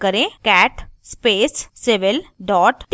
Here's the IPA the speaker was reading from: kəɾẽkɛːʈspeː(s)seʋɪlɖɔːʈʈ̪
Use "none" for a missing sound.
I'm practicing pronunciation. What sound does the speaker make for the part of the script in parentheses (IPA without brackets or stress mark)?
s